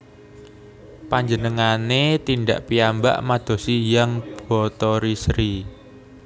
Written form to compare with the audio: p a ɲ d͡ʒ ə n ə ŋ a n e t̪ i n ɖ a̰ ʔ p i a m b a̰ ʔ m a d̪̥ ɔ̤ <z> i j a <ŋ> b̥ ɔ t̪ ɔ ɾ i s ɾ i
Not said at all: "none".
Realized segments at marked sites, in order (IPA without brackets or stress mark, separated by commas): s, ŋ